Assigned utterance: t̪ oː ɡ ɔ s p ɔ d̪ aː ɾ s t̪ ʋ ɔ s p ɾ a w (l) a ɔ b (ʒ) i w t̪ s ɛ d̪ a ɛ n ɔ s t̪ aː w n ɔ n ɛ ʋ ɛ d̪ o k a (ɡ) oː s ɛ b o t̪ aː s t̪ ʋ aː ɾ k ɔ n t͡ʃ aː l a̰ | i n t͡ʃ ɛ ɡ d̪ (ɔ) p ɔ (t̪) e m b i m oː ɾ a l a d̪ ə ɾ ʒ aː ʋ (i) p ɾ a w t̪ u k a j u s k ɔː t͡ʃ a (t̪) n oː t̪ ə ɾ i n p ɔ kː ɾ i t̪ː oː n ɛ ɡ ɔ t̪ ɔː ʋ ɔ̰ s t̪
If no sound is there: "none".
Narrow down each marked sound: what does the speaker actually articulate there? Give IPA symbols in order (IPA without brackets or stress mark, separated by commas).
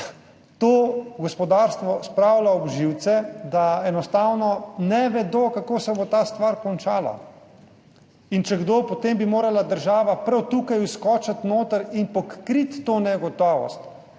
l, ʒ, k, o, t̪, a, t̪